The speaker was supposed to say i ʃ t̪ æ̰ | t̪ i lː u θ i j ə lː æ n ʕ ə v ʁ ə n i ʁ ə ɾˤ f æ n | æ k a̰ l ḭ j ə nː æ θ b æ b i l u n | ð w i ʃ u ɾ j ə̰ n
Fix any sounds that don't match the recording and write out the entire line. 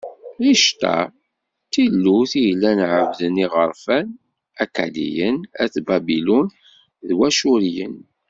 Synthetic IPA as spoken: i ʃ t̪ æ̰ | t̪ i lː u θ i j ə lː æ n ʕ ə v ð ə n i ʁ ə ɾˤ f æ n | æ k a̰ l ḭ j ə n æ θ b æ b i l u n | ð w æ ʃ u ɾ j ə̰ n